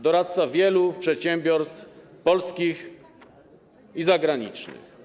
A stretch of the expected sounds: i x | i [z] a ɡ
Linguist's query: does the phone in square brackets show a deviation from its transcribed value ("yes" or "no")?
no